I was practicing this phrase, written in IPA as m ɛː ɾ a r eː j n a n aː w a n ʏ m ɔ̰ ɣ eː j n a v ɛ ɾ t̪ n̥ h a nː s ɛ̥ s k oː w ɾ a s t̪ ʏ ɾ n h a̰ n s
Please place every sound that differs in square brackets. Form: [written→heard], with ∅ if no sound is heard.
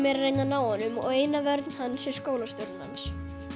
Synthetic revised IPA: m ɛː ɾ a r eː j n a n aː w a n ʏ m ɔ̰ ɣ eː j n a v ɛ ɾ t̪ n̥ h a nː s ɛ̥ s k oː w [ɾ→l] a s t̪ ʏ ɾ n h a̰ n s